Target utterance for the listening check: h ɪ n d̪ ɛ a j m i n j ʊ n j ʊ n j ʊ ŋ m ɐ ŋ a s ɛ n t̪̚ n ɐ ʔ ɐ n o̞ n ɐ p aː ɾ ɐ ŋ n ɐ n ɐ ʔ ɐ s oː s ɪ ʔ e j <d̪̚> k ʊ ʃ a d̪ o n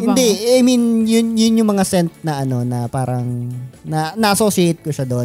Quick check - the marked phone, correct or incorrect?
incorrect